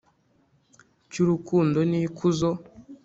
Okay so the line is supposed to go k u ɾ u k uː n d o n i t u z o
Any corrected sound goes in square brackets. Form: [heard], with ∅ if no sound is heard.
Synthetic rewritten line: [c] u ɾ u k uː n d o n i [k] u z o